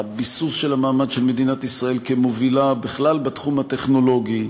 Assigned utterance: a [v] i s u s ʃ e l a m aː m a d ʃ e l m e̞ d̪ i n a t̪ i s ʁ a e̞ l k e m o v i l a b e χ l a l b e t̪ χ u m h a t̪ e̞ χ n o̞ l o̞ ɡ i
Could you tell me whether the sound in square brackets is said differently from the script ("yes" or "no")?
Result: yes